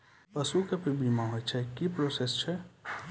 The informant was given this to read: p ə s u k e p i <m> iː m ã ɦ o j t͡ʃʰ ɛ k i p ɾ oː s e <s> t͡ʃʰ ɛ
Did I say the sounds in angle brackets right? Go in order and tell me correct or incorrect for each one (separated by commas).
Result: incorrect, correct